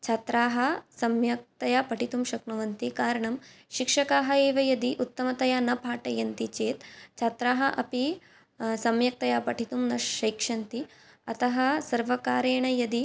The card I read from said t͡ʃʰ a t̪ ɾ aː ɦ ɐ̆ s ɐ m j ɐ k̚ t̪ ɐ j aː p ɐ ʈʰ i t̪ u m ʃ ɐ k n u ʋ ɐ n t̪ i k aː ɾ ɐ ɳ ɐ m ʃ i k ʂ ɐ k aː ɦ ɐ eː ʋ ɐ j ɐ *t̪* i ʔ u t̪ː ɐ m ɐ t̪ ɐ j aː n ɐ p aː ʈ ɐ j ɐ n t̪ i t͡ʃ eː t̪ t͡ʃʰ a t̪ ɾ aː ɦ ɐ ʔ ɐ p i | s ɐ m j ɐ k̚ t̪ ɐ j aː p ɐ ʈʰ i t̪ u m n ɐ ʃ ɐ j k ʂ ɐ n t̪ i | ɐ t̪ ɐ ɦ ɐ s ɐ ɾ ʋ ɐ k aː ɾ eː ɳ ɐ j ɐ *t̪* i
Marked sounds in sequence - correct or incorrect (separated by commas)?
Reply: incorrect, incorrect